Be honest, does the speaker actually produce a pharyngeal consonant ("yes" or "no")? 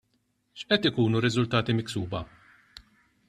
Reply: no